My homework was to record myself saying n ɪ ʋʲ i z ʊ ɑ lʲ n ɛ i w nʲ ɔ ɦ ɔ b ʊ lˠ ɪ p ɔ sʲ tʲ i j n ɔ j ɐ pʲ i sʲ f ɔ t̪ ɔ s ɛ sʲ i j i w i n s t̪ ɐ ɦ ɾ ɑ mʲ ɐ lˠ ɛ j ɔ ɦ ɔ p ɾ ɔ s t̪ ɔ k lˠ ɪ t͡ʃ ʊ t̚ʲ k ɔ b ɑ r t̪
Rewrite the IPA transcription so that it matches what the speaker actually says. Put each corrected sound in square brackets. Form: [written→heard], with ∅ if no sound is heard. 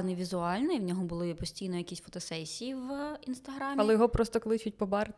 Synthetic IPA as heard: n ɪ ʋʲ i z ʊ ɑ lʲ n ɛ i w nʲ ɔ ɦ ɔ b ʊ lˠ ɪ p ɔ sʲ tʲ i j n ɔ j ɐ [pʲ→kʲ] i sʲ f ɔ t̪ ɔ s ɛ sʲ i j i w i n s t̪ ɐ ɦ ɾ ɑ mʲ ɐ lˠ ɛ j ɔ ɦ ɔ p ɾ ɔ s t̪ ɔ k lˠ ɪ t͡ʃ ʊ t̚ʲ [k→p] ɔ b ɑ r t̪